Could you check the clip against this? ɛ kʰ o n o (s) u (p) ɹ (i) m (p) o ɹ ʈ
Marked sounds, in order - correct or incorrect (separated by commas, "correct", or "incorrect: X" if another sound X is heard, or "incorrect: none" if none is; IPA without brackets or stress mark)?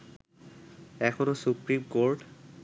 correct, correct, correct, incorrect: k